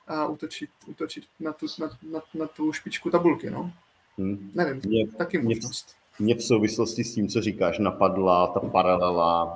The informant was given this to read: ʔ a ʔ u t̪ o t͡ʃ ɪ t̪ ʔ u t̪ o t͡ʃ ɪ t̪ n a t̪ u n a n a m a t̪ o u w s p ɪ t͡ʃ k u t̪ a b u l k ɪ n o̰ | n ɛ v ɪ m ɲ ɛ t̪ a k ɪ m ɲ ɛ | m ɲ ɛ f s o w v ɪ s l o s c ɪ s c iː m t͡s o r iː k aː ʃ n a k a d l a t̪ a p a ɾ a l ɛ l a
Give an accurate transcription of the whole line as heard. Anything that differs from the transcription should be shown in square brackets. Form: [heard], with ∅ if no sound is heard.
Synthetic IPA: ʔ a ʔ u t̪ o t͡ʃ ɪ t̪ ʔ u t̪ o t͡ʃ ɪ t̪ n a t̪ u n a n a [n] a t̪ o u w [ʃ] p ɪ t͡ʃ k u t̪ a b u l k ɪ n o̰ | n ɛ v ɪ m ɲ ɛ t̪ a k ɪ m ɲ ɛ | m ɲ ɛ f s o w v ɪ s l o s c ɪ s c iː m t͡s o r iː k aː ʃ n a [p] a d l a t̪ a p a ɾ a l ɛ l a